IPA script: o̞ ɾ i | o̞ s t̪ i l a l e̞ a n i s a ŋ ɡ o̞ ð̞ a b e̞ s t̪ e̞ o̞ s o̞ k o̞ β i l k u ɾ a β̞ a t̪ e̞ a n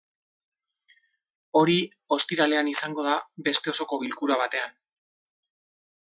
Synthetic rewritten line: o̞ ɾ i | o̞ s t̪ i ɾ a l e̞ a n i s a ŋ ɡ o̞ ð̞ a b e̞ s t̪ e̞ o̞ s o̞ k o̞ β i l k u ɾ a β̞ a t̪ e̞ a n